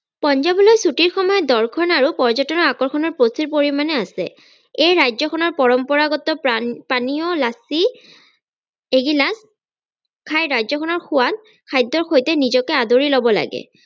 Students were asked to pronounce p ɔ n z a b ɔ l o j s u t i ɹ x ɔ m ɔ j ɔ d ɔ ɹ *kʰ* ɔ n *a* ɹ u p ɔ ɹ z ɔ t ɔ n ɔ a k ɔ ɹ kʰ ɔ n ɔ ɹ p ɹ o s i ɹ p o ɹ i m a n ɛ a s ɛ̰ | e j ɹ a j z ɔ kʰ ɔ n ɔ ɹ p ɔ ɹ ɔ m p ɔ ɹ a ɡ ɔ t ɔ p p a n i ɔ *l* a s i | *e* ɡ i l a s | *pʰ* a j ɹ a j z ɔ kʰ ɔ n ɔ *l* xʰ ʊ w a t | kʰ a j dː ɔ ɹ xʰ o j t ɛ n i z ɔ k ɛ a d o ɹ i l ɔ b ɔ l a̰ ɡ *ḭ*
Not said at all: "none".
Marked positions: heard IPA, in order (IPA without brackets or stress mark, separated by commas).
kʰ, a, l, e, kʰ, ɹ, ɛ̰